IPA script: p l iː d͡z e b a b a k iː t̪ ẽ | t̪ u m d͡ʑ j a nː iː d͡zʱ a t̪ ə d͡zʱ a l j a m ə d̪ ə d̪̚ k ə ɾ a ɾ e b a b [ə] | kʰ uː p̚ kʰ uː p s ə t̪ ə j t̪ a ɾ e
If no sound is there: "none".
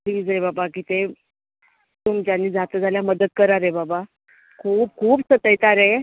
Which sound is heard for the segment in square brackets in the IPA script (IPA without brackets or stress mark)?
a